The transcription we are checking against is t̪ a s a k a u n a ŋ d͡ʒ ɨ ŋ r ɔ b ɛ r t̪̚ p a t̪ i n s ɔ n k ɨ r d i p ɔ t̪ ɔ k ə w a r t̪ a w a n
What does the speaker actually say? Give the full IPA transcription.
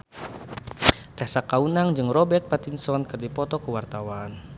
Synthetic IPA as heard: t̪ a s a k a u n a ŋ d͡ʒ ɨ ŋ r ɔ b ɛ r t̪̚ p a t̪ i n s ɔ n k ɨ r d i p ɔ t̪ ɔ k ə w a r t̪ a w a n

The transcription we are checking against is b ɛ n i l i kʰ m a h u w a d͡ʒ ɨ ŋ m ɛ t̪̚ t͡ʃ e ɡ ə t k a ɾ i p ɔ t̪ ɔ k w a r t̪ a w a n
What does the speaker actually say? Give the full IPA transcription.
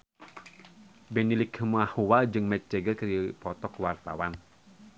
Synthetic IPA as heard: b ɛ n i l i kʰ m a h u w a d͡ʒ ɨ ŋ m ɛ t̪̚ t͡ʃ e ɡ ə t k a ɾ i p ɔ t̪ ɔ k w a r t̪ a w a n

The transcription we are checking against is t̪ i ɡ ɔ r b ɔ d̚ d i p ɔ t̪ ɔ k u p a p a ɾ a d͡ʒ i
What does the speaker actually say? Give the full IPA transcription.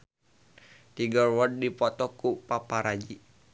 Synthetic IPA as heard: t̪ i ɡ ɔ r w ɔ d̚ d i p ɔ t̪ ɔ k u p a p a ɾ a d͡ʒ i

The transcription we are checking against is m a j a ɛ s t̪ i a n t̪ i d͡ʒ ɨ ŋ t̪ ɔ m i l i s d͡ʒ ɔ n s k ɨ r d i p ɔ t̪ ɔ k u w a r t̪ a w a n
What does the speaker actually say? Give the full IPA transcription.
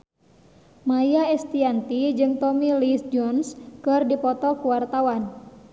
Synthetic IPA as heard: m a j a ɛ s t̪ i a n t̪ i d͡ʒ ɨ ŋ t̪ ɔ m i l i s d͡ʒ ɔ n s k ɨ r d i p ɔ t̪ ɔ k u w a r t̪ a w a n

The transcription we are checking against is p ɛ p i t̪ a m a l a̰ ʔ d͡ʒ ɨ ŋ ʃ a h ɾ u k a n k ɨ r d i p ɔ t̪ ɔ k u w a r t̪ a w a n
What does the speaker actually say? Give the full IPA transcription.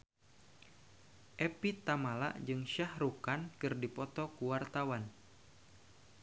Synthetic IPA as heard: ʔ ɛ p i t̪ a m a l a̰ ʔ d͡ʒ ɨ ŋ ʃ a h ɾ u k a n k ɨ r d i p ɔ t̪ ɔ k u w a r t̪ a w a n

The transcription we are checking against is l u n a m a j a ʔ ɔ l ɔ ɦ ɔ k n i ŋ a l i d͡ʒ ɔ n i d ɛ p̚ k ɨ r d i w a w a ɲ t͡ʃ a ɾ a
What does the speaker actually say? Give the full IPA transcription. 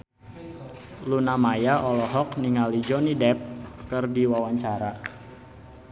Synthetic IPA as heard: l u n a m a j a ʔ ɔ l ɔ ɦ ɔ k n i ŋ a l i d͡ʒ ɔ n i d ɛ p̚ k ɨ r d i w a w a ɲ t͡ʃ a ɾ a

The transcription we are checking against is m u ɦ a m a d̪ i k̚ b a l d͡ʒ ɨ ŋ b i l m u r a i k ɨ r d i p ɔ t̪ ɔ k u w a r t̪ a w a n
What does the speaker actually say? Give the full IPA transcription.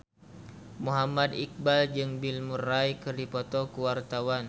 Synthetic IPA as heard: m u ɦ a m a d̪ i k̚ b a l d͡ʒ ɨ ŋ b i l m u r a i k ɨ r d i p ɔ t̪ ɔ k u w a r t̪ a w a n

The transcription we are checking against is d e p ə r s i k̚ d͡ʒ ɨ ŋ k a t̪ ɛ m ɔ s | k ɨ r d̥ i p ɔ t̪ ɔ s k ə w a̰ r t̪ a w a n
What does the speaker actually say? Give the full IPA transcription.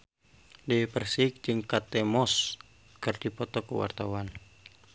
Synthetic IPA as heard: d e p ə r s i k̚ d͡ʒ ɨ ŋ k a t̪ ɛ m ɔ s | k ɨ r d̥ i p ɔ t̪ ɔ k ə w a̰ r t̪ a w a n

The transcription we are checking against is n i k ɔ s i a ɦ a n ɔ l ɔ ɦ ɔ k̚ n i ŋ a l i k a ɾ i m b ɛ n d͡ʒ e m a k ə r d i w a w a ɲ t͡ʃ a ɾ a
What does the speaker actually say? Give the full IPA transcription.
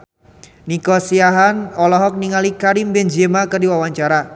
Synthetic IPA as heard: n i k ɔ s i a ɦ a n ɔ l ɔ ɦ ɔ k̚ n i ŋ a l i k a ɾ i m b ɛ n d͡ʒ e m a k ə r d i w a w a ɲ t͡ʃ a ɾ a

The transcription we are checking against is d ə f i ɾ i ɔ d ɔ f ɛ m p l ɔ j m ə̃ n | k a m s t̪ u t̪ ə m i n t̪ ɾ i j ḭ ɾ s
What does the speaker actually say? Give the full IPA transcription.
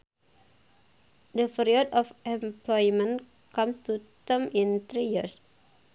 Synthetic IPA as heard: d ə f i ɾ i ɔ d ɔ f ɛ m p l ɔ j m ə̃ n | k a m s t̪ u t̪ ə m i n t̪ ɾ i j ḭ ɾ s

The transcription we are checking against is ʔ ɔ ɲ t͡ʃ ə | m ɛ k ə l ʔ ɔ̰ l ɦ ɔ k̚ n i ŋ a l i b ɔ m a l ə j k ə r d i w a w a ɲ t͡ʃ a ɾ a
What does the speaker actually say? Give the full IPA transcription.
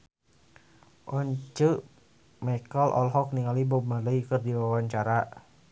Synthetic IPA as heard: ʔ ɔ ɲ t͡ʃ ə | m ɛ k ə l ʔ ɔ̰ l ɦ ɔ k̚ n i ŋ a l i b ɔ m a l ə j k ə r d i w a w a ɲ t͡ʃ a ɾ a

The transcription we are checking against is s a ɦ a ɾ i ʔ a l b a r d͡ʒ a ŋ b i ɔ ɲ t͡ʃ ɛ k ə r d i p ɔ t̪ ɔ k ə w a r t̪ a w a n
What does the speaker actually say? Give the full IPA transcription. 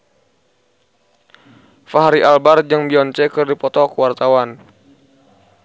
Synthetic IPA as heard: f a ɦ a ɾ i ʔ a l b a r d͡ʒ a ŋ b i ɔ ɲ t͡ʃ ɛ k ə r d i p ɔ t̪ ɔ k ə w a r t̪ a w a n

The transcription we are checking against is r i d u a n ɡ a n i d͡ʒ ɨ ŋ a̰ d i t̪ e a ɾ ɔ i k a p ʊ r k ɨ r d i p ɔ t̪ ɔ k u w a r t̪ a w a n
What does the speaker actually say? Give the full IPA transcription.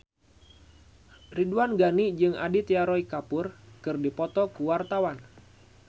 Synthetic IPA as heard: r i d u a n ɡ a n i d͡ʒ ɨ ŋ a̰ d i t̪ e a ɾ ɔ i k a p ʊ r k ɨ r d i p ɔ t̪ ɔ k u w a r t̪ a w a n

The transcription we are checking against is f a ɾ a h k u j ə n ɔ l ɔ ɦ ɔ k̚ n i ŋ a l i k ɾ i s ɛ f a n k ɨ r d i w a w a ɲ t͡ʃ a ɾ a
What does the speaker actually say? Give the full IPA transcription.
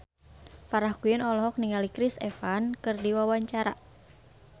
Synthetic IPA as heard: f a ɾ a h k u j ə n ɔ l ɔ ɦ ɔ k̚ n i ŋ a l i k ɾ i s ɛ f a n k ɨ r d i w a w a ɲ t͡ʃ a ɾ a

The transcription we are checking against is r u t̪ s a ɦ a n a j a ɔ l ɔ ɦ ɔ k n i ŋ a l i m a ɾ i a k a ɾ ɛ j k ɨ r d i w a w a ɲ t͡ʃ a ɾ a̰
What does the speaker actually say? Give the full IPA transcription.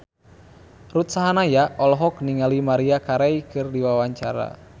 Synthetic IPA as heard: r u t̪ s a ɦ a n a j a ɔ l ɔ ɦ ɔ k n i ŋ a l i m a ɾ i a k a ɾ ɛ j k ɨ r d i w a w a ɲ t͡ʃ a ɾ a̰

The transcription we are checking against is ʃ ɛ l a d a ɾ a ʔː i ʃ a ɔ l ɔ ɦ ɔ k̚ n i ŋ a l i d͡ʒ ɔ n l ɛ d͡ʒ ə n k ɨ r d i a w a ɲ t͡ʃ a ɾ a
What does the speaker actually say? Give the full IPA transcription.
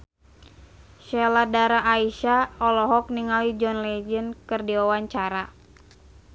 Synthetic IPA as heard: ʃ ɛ l a d a ɾ a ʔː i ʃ a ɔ l ɔ ɦ ɔ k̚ n i ŋ a l i d͡ʒ ɔ n l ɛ d͡ʒ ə n k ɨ r d i a w a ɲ t͡ʃ a ɾ a

